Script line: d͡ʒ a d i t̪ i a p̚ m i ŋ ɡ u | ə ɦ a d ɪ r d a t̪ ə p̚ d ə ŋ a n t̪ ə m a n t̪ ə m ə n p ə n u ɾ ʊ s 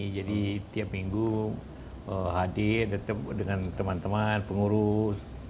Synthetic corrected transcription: d͡ʒ a d i t̪ i a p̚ m i ŋ ɡ u | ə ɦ a d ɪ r d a t̪ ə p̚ d ə ŋ a n t̪ ə m a n t̪ ə m a n p ə ŋ u ɾ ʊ s